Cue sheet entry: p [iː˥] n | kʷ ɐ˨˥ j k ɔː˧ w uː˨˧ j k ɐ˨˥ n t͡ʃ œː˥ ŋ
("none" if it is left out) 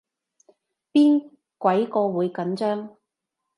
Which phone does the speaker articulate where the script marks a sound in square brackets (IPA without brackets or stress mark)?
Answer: iː˥